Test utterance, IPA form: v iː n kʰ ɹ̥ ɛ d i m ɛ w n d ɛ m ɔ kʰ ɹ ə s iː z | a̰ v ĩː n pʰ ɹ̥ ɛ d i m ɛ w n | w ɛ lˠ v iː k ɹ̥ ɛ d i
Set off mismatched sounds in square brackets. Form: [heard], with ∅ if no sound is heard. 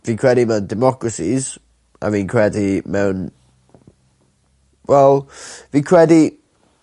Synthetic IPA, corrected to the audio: v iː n kʰ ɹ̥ ɛ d i m ɛ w n d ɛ m ɔ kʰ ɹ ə s [i] z | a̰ v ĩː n [kʰ] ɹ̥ ɛ d i m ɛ w n | w ɛ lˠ v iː [kʰ] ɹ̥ ɛ d i